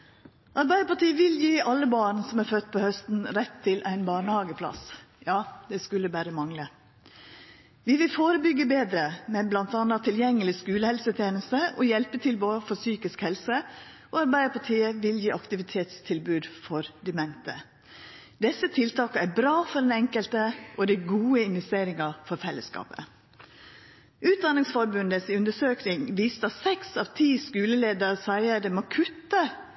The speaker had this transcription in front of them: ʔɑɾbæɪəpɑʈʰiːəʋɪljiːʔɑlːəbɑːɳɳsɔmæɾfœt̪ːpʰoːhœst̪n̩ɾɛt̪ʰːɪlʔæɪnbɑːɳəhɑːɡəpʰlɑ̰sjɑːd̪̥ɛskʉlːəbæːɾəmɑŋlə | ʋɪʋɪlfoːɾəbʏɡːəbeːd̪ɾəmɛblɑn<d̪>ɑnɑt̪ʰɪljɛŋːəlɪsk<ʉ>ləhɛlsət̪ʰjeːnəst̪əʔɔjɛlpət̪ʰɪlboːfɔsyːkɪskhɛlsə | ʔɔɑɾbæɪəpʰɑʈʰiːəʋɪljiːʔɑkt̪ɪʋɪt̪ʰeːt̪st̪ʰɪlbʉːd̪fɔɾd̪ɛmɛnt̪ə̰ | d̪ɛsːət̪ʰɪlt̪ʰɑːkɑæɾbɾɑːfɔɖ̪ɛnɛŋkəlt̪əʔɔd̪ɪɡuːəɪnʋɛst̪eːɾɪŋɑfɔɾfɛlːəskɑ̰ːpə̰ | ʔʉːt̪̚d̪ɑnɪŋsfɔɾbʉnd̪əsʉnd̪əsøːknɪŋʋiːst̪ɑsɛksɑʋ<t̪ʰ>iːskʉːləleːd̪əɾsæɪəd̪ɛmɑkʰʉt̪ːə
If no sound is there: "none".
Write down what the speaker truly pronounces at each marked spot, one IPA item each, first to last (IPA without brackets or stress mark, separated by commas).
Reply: t̪, ʉː, t̪ʰ